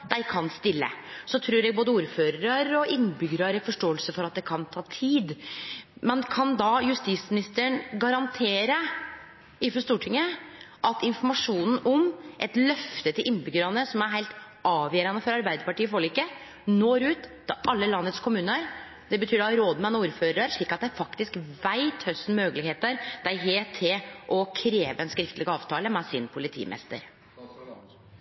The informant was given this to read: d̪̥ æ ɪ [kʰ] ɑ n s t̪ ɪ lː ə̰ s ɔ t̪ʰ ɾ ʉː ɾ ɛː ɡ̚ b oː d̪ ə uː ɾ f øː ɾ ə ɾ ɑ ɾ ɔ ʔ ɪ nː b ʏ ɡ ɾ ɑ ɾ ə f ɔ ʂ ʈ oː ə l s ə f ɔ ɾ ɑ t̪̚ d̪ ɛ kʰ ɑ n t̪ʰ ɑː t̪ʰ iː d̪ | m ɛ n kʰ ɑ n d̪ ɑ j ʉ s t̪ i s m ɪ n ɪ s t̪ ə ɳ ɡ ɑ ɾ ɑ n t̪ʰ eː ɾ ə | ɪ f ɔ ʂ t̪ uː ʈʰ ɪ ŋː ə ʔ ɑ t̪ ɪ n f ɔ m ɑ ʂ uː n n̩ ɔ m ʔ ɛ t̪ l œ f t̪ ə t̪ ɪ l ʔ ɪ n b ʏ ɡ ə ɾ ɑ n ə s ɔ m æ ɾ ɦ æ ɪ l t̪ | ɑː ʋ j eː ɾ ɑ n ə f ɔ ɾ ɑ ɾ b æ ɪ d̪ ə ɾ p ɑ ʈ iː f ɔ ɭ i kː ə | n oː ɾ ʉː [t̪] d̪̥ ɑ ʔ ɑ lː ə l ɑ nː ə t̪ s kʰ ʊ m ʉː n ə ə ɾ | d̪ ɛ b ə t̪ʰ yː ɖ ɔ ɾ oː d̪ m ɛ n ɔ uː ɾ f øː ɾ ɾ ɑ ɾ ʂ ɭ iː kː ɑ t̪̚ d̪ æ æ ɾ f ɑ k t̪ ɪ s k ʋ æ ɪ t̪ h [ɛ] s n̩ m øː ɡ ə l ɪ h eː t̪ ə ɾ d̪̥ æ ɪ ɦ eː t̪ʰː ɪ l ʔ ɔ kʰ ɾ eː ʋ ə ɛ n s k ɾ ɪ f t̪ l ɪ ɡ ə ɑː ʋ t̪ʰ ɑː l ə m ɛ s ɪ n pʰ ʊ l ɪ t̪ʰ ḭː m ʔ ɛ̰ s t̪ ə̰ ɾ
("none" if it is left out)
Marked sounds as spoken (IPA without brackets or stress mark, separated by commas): kʰ, t̪, œ